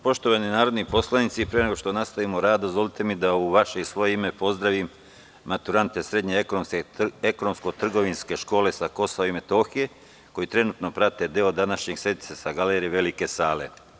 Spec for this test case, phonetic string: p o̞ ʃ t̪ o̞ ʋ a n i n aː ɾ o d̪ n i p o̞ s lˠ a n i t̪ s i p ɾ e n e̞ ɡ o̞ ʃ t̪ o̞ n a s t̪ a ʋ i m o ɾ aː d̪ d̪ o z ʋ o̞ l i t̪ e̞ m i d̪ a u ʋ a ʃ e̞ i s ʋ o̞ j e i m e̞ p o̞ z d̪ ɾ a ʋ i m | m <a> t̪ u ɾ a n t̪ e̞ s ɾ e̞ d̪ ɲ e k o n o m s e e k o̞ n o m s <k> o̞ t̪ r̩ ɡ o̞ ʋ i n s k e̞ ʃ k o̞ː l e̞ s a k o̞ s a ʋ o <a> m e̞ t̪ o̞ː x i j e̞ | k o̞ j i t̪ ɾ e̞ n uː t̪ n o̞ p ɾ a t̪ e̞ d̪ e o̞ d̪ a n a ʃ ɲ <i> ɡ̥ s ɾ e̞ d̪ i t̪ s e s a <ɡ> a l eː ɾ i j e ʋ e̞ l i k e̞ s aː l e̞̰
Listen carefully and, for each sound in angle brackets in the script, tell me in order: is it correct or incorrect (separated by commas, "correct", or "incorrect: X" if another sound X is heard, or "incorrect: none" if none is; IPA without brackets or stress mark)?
correct, correct, incorrect: i, incorrect: e, correct